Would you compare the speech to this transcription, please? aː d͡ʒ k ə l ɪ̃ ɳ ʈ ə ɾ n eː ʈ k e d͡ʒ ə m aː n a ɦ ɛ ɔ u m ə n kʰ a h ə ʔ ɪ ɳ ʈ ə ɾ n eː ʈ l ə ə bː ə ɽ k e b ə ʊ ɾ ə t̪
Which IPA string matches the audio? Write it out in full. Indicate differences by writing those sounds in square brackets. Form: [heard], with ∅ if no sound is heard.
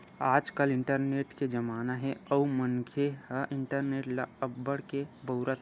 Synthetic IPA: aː d͡ʒ k ə l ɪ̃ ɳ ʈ ə ɾ n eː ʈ k e d͡ʒ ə m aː n a ɦ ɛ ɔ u m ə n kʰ [e] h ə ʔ ɪ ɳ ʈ ə ɾ n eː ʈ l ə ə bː ə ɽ k e b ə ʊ ɾ ə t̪

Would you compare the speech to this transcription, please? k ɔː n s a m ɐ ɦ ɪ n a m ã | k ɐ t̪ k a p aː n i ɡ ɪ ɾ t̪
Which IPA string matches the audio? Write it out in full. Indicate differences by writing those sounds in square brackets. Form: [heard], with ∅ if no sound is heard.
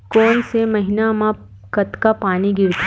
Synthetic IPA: k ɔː n s [e] m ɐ ɦ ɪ n a m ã | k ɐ t̪ k a p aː n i ɡ ɪ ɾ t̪

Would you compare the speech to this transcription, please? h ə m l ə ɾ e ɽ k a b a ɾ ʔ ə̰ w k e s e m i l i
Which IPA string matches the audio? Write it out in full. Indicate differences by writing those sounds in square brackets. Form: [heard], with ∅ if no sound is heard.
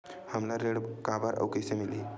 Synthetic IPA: h ə m l [a] ɾ e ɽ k a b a ɾ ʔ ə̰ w k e s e m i l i

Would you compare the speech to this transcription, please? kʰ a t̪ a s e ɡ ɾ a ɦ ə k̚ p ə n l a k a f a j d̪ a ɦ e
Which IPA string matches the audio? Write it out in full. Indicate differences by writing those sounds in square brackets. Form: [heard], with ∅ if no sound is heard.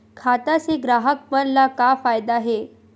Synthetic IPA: kʰ a t̪ a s e ɡ ɾ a ɦ ə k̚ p ə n l a k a f a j d̪ a ɦ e

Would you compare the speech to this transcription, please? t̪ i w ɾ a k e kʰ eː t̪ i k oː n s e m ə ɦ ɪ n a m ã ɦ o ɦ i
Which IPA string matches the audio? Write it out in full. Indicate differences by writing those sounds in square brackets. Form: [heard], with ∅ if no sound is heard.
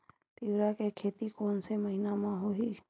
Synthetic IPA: t̪ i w ɾ a k e kʰ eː t̪ i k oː n s e m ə ɦ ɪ n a m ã ɦ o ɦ i

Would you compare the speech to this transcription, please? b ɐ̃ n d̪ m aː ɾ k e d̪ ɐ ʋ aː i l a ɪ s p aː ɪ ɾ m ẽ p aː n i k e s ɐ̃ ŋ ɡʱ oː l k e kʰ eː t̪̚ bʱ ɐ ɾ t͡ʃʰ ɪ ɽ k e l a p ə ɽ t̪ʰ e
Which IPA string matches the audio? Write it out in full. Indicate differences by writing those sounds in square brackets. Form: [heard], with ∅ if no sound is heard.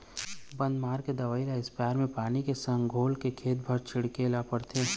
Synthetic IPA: b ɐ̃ n d̪ m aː ɾ k e d̪ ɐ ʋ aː i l a ɪ s p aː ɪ ɾ m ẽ p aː n i k e s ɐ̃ ŋ ɡʱ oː l k e kʰ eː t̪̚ bʱ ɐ ɾ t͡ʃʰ ɪ ɽ k e l a p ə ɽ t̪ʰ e

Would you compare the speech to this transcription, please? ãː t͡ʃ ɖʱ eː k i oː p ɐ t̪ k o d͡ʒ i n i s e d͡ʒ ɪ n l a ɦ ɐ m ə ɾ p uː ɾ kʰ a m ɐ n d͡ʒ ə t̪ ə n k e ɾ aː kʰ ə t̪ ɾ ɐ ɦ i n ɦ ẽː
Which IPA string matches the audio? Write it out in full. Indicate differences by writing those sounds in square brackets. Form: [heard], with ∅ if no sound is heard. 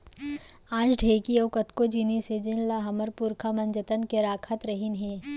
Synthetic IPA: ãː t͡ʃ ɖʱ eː k i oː [k] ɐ t̪ k o d͡ʒ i n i s e d͡ʒ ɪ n l a ɦ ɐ m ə ɾ p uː ɾ kʰ a m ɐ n d͡ʒ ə t̪ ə n k e ɾ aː kʰ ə t̪ ɾ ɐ ɦ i n ɦ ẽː

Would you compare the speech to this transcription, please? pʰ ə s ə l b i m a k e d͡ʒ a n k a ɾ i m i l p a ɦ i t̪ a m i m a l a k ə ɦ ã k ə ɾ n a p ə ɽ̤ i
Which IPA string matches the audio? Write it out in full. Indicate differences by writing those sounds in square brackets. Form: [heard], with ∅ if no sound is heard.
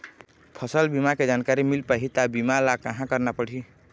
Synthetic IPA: pʰ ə s ə l b i m a k e d͡ʒ a n k a ɾ i m i l p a ɦ i t̪ a [b] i m a l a k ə ɦ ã k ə ɾ n a p ə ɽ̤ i

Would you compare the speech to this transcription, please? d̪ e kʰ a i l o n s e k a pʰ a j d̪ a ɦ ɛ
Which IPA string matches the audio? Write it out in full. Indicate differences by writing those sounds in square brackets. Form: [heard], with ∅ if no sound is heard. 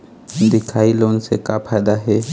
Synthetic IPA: d̪ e kʰ a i l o n s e k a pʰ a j d̪ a ɦ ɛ

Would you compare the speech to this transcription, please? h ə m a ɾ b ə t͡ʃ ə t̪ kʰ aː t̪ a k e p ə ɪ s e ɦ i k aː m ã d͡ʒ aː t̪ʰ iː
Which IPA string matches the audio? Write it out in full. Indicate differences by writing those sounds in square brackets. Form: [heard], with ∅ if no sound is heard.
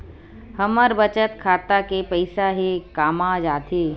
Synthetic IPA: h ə m [ə] ɾ b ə t͡ʃ ə t̪ kʰ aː t̪ a k e p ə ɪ s [a] ɦ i k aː m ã d͡ʒ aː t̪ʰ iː

